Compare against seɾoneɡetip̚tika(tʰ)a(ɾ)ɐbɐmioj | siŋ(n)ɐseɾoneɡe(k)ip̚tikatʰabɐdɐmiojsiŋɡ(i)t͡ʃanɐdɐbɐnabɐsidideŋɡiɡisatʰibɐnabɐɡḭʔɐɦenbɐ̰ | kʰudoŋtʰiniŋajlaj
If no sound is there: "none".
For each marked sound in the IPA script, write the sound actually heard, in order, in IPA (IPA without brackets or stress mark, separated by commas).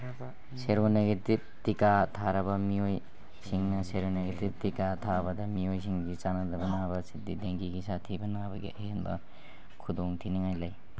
tʰ, ɾ, n, t, i